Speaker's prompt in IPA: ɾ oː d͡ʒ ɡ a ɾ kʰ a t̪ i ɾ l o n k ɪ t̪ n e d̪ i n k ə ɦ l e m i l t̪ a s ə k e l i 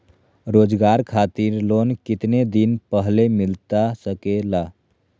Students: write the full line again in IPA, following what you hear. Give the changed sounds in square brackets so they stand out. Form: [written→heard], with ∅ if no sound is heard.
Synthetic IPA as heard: ɾ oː d͡ʒ ɡ a ɾ kʰ a t̪ i ɾ l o n k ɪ t̪ n e d̪ i n [k→p] ə ɦ l e m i l t̪ a s ə k e l [i→a]